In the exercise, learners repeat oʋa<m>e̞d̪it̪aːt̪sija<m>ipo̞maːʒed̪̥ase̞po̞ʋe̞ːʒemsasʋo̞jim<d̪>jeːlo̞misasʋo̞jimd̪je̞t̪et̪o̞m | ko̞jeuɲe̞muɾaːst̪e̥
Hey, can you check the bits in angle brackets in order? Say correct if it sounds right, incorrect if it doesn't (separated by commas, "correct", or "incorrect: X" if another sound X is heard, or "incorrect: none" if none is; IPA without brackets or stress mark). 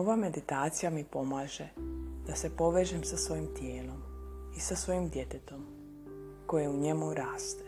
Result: correct, correct, incorrect: t̪